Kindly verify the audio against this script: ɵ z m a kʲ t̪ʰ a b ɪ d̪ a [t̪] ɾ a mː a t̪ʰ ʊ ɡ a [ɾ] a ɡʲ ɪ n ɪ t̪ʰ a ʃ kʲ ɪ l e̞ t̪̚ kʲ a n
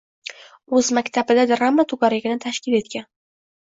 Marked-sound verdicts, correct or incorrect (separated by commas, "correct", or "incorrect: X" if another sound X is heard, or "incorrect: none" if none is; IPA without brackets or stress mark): incorrect: d̪, correct